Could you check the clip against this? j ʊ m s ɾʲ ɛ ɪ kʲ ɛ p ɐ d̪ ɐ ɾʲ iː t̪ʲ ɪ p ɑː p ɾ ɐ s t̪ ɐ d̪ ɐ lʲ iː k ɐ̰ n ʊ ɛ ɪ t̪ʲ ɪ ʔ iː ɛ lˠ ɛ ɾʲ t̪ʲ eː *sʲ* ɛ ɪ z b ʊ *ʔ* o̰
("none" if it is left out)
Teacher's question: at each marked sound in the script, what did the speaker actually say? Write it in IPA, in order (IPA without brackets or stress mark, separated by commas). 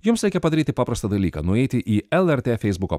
fʲ, k